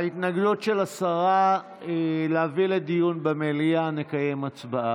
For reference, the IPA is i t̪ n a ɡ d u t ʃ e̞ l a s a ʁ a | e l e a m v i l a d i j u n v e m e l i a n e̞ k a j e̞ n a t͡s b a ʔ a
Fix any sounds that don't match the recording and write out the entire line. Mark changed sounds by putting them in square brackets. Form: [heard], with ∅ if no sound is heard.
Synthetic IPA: i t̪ n a ɡ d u t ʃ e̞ l a s a ʁ a | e l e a [∅] v i l [e] d i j u n [b] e m e l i a n e̞ k a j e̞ [m] a t͡s b a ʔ a